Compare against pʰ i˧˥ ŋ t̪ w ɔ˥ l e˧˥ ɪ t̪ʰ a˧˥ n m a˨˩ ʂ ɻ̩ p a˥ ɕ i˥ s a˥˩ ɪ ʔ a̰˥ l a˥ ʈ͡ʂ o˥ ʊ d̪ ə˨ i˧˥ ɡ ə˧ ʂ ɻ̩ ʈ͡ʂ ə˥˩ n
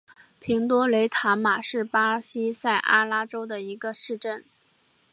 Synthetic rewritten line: pʰ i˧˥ ŋ t̪ w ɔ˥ l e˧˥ ɪ t̪ʰ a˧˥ n m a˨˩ ʂ ɻ̩ p a˥ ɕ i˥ s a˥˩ ɪ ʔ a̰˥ l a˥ ʈ͡ʂ o˥ ʊ d̪ ə˨ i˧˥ ɡ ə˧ ʂ ɻ̩ ʈ͡ʂ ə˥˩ n